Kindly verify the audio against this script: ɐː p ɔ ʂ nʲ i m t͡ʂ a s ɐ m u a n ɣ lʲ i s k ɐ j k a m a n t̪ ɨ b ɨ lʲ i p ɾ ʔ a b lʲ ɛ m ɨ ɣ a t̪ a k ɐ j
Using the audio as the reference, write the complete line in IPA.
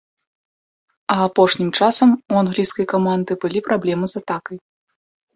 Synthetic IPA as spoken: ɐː p ɔ ʂ nʲ i m t͡ʂ a s ɐ m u a n ɣ lʲ i s k ɐ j k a m a n d̪ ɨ b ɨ lʲ i p ɾ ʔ a b lʲ ɛ m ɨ z a t̪ a k ɐ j